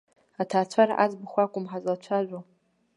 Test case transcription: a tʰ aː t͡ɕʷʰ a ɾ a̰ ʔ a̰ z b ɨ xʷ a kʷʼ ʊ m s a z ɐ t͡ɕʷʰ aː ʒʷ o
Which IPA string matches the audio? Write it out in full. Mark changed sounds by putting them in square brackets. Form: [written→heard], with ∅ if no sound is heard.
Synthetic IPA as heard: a tʰ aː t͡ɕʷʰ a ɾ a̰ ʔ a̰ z b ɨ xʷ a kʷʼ ʊ m [s→ħ] a z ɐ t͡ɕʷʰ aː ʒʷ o